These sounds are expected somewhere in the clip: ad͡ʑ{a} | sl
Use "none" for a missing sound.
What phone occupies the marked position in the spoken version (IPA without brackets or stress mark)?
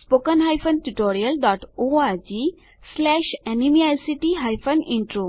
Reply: i